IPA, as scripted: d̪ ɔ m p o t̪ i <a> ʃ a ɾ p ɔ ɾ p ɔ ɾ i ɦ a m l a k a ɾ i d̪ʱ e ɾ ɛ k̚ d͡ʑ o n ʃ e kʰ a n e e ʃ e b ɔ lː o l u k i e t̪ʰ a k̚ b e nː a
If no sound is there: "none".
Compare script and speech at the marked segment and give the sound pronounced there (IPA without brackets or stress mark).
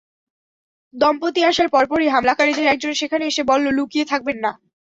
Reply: a